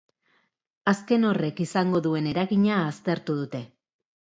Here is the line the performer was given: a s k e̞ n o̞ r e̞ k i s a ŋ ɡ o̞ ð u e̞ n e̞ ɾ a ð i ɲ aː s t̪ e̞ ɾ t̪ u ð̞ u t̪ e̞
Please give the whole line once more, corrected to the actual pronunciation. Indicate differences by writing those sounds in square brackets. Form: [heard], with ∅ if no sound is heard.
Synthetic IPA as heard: a s k e̞ n o̞ r e̞ k i s a ŋ ɡ o̞ ð u e̞ n e̞ ɾ a [ɣ] i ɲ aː s t̪ e̞ ɾ t̪ u ð̞ u t̪ e̞